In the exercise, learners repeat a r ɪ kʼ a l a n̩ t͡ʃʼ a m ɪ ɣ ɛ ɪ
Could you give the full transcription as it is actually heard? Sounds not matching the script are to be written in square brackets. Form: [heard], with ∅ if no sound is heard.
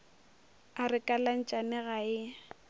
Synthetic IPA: a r ɪ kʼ a l a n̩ t͡ʃʼ a [n] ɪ ɣ [a] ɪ